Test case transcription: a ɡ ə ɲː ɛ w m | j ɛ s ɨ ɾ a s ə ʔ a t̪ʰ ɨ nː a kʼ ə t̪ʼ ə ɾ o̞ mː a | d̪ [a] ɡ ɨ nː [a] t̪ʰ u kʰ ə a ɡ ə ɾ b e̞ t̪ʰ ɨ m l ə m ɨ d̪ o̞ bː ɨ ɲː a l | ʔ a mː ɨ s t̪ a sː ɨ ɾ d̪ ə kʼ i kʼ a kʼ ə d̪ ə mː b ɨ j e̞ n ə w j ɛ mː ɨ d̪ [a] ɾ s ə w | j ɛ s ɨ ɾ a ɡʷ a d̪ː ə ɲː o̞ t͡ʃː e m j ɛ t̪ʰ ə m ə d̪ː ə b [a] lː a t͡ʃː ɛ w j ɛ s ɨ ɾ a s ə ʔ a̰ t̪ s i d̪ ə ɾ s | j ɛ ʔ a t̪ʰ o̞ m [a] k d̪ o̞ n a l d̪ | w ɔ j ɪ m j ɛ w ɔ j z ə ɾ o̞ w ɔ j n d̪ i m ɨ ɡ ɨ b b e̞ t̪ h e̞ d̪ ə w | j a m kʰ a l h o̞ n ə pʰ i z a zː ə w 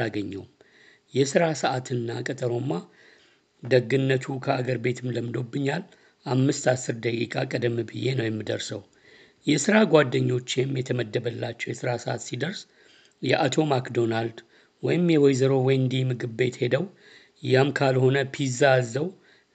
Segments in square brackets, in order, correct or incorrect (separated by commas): incorrect, incorrect, incorrect, incorrect, correct